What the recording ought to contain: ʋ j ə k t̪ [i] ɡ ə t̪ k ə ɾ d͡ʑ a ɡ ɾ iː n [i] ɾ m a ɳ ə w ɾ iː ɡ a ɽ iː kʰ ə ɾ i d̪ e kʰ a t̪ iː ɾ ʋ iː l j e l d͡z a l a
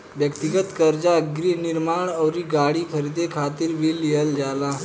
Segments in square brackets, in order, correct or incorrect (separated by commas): correct, correct